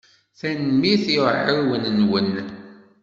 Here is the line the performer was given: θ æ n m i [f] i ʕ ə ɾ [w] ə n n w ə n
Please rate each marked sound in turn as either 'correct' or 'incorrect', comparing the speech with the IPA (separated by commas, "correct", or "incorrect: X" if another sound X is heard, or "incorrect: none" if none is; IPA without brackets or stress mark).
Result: incorrect: θ, correct